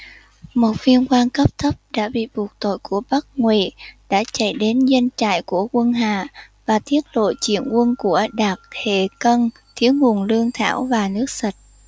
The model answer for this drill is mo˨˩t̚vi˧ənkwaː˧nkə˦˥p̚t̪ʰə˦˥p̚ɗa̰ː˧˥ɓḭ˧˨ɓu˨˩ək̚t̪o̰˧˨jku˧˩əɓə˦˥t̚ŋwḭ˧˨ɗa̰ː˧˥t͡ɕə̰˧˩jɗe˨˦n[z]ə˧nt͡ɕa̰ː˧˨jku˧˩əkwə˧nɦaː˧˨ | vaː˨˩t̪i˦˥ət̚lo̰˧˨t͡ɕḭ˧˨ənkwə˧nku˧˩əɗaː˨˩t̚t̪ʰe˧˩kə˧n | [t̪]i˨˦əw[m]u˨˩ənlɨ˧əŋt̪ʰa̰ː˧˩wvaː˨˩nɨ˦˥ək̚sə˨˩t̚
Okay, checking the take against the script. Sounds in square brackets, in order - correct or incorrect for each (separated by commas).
correct, incorrect, incorrect